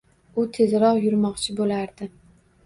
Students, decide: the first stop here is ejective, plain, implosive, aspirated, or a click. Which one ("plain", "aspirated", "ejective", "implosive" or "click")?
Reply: aspirated